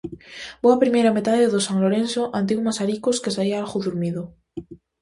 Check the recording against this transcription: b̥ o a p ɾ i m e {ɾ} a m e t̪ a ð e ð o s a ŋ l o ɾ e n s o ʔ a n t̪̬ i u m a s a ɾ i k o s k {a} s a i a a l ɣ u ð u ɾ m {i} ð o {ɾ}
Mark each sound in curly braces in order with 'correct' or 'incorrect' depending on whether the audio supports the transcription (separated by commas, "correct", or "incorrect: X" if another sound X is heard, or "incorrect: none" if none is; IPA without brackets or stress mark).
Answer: correct, incorrect: e, correct, incorrect: none